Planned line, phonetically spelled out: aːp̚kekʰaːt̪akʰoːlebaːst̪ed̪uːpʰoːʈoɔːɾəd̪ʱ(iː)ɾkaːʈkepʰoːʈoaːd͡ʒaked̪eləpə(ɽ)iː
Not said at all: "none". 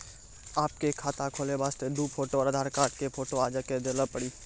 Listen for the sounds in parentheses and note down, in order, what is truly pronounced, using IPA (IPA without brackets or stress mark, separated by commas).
aː, ɽ